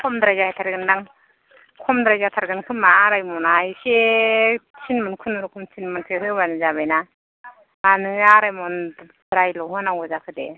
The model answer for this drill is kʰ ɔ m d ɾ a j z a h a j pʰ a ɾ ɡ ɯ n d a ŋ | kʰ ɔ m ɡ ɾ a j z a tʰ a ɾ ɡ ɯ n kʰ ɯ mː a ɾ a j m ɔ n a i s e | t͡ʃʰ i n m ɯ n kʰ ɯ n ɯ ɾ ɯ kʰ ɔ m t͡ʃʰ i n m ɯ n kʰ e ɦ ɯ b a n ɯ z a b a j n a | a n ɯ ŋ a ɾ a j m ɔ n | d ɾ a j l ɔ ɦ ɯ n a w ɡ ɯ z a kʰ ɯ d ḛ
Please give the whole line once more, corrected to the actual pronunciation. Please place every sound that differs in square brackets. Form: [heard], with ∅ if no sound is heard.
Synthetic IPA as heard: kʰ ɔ m d ɾ a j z a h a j [tʰ] a ɾ ɡ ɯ n d a ŋ | kʰ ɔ m [d] ɾ a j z a tʰ a ɾ ɡ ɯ n kʰ ɯ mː a ɾ a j m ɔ n a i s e | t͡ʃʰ i n m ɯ n kʰ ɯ n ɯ ɾ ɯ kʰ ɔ m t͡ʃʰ i n m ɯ n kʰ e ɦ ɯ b a n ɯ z a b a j n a | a n ɯ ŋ a ɾ a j m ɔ n | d ɾ a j l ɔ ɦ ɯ n a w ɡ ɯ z a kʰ ɯ d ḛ